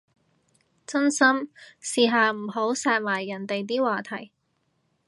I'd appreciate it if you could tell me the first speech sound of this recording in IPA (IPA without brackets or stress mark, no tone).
t͡s